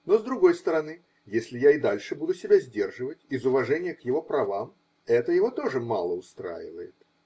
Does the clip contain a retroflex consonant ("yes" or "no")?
yes